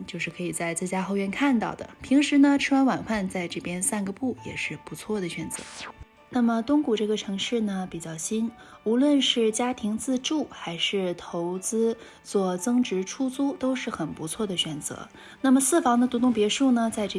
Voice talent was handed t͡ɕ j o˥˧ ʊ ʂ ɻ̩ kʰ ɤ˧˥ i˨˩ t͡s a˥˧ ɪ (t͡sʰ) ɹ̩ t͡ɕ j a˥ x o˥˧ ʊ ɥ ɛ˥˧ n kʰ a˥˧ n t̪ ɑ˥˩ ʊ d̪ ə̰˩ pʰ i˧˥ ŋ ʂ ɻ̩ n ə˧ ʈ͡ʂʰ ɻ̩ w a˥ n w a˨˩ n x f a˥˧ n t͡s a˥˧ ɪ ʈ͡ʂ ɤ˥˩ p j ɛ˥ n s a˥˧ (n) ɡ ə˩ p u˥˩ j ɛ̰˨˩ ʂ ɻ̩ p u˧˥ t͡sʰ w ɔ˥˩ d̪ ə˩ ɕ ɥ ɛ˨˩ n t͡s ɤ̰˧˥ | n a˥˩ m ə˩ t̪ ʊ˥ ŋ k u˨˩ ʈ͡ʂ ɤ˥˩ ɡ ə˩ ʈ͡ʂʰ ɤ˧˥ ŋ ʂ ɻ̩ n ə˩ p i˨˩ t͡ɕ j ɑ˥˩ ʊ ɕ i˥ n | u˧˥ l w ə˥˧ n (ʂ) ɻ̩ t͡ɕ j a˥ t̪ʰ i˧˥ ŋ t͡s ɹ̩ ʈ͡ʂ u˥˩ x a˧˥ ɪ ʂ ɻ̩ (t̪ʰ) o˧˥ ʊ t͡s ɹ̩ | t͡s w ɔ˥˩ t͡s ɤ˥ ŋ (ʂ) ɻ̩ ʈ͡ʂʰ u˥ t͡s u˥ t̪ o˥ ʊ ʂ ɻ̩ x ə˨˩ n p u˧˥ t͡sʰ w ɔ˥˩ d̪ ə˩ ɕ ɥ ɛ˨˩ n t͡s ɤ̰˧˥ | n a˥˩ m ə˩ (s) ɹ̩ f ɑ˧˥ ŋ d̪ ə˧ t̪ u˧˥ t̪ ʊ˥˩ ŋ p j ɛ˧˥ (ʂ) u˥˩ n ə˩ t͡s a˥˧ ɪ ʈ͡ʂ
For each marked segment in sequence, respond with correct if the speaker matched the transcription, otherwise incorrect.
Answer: incorrect, correct, correct, correct, incorrect, correct, correct

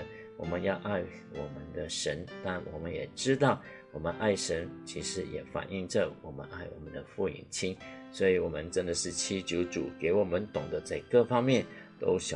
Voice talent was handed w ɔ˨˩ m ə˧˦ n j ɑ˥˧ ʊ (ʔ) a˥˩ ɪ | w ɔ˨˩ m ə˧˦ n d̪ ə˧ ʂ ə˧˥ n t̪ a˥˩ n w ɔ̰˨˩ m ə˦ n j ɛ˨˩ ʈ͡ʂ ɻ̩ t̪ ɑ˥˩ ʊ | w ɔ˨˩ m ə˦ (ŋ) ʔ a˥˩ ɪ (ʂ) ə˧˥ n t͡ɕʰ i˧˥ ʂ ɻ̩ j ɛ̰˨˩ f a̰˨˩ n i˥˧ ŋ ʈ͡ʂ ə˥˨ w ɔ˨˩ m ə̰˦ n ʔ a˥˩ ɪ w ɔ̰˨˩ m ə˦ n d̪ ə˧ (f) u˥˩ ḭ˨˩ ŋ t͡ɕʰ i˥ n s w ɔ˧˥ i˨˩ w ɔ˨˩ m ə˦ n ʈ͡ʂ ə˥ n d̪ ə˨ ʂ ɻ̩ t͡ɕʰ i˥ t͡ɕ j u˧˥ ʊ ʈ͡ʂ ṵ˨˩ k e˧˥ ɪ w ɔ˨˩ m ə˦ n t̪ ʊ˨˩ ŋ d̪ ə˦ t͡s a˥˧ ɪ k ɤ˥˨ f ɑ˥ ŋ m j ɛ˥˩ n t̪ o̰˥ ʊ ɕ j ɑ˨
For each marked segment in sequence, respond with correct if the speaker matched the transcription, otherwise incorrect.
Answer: correct, incorrect, correct, correct

